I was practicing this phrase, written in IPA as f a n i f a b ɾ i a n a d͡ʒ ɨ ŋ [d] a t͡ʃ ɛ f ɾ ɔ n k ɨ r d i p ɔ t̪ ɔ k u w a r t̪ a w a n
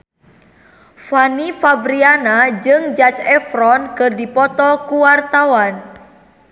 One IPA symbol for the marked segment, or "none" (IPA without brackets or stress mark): d͡ʒ